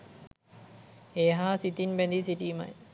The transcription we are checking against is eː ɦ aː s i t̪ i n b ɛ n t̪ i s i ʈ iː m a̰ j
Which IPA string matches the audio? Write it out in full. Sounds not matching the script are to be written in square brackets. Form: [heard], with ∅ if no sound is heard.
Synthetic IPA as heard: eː ɦ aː s i t̪ i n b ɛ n [d̪] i s i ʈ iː m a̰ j